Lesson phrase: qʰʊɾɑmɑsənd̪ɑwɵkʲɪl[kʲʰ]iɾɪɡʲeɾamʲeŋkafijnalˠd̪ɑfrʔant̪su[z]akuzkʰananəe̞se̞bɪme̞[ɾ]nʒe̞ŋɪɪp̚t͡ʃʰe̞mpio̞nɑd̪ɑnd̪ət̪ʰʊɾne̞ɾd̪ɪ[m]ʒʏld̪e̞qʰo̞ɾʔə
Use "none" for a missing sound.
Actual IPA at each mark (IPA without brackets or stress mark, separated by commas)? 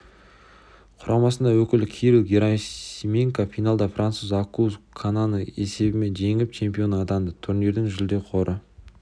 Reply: kʲʰ, z, none, ŋ